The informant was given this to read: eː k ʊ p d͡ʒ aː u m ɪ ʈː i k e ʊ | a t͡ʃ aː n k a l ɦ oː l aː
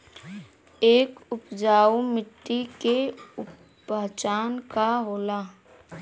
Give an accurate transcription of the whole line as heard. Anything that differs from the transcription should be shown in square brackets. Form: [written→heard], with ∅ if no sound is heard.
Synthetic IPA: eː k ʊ p d͡ʒ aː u m ɪ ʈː i k e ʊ | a t͡ʃ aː n k a [l→∅] ɦ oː l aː